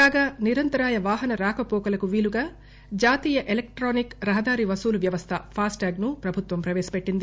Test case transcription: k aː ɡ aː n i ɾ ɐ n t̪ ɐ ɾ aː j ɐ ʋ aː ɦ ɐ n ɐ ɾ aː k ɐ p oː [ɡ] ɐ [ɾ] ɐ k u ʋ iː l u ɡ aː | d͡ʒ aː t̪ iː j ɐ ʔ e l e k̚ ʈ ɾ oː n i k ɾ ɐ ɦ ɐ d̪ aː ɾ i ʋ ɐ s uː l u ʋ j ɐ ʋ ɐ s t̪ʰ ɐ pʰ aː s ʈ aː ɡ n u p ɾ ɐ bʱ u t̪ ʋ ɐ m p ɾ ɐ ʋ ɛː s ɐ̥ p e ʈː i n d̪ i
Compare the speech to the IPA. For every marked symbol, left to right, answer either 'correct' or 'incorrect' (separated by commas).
incorrect, incorrect